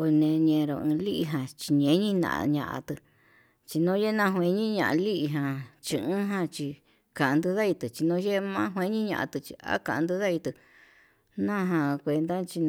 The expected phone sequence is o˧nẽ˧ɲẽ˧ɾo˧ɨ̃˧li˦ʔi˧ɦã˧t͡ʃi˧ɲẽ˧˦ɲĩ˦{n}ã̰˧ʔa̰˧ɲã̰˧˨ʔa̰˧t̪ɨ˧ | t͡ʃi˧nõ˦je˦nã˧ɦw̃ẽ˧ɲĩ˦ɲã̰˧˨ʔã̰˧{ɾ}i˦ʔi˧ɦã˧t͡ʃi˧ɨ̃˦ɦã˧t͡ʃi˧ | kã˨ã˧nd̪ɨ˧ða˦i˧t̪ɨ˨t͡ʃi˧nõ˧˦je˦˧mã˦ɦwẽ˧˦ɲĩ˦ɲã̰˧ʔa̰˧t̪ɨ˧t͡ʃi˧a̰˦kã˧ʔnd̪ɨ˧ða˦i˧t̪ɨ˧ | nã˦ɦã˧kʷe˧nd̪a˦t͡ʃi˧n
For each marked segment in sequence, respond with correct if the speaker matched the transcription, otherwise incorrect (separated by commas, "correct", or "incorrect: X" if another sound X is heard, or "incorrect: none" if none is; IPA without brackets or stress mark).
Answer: correct, incorrect: l